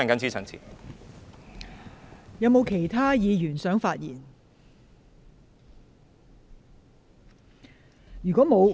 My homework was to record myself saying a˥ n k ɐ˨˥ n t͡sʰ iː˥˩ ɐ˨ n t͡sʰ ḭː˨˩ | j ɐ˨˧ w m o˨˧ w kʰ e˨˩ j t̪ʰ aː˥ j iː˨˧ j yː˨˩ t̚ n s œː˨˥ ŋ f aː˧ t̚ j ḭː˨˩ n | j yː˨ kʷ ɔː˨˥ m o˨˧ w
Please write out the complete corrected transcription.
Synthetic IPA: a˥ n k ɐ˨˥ n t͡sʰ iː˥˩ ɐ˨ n t͡sʰ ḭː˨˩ | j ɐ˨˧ w m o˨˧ w kʰ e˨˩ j t̪ʰ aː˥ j iː˨˧ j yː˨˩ n s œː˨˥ ŋ f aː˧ t̚ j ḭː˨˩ n | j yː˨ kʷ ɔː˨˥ m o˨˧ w